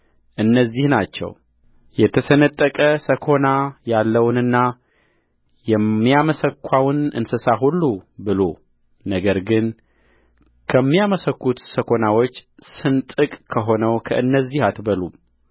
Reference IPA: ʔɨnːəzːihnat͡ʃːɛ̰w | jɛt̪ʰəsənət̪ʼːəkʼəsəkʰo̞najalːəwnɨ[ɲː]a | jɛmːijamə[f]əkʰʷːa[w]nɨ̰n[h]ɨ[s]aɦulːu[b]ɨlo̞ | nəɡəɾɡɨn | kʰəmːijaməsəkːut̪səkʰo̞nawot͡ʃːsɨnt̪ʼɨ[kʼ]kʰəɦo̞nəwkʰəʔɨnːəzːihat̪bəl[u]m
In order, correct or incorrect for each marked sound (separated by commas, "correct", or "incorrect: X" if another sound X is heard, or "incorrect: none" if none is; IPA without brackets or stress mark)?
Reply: incorrect: nː, incorrect: s, correct, incorrect: s, correct, correct, correct, correct